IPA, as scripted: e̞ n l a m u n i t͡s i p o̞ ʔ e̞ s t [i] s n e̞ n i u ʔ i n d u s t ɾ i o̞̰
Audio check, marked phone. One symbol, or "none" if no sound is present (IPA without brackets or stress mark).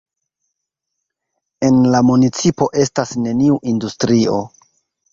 a